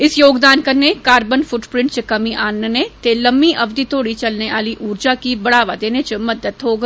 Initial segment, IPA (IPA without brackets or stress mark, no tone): ɪ